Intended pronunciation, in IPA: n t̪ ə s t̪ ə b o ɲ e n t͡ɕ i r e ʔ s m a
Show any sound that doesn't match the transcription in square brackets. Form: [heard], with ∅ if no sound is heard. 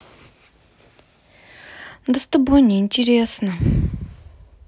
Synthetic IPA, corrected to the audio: n [d̪] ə s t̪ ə b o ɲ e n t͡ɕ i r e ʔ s [n] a